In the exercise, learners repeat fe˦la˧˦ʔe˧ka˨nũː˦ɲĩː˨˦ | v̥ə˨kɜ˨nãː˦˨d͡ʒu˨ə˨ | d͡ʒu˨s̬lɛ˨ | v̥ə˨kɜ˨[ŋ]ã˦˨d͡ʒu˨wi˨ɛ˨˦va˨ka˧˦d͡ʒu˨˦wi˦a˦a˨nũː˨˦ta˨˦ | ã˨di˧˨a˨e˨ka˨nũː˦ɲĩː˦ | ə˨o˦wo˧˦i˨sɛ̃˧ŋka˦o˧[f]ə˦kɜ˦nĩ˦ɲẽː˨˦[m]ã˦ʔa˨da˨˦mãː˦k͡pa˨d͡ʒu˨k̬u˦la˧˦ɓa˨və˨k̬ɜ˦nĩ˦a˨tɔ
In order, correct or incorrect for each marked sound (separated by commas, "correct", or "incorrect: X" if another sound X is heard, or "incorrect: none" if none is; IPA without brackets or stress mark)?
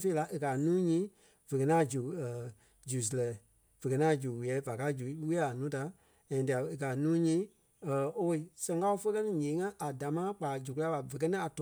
incorrect: n, correct, incorrect: ŋ